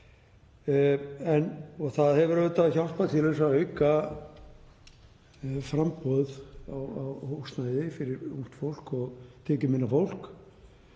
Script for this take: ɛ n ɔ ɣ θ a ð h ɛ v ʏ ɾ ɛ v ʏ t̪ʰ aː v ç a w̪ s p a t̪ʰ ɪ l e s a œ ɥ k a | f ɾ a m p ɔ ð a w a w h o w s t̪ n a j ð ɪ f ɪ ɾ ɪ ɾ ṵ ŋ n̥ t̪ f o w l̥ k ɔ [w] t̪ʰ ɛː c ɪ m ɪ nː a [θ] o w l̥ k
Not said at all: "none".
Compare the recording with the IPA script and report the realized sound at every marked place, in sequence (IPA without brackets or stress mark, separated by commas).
ɣ, f